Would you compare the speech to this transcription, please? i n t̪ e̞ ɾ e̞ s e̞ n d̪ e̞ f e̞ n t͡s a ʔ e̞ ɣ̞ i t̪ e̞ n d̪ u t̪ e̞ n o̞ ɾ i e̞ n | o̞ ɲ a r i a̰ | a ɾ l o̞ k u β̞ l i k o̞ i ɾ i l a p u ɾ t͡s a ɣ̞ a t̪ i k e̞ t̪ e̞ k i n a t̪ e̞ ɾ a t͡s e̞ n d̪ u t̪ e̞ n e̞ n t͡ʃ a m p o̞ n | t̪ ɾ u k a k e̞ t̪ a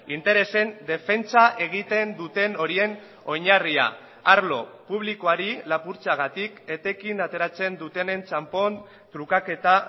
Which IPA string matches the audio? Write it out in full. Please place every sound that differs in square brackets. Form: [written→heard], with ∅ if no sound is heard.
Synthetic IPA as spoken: i n t̪ e̞ ɾ e̞ s e̞ n d̪ e̞ f e̞ n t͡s a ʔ e̞ ɣ̞ i t̪ e̞ n d̪ u t̪ e̞ n o̞ ɾ i e̞ n | o̞ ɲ a r i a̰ | a ɾ l o̞ [k→p] u β̞ l i k o̞ [i→a] ɾ i l a p u ɾ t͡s a ɣ̞ a t̪ i k e̞ t̪ e̞ k i n a t̪ e̞ ɾ a t͡s e̞ n d̪ u t̪ e̞ n e̞ n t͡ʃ a m p o̞ n | t̪ ɾ u k a k e̞ t̪ a